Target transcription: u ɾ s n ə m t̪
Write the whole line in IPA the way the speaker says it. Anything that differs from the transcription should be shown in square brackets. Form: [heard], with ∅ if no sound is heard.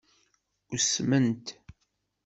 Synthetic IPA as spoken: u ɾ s [m] ə [n] t̪